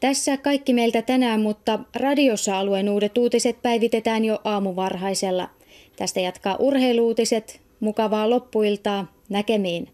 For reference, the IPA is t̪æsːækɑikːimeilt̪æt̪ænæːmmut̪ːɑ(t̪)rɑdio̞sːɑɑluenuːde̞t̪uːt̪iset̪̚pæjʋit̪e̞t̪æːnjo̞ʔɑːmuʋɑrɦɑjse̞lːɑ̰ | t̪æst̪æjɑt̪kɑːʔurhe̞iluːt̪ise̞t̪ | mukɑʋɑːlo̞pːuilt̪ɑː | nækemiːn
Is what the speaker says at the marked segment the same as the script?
no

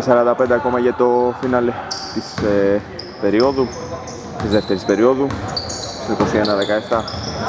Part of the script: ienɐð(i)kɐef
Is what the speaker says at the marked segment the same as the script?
no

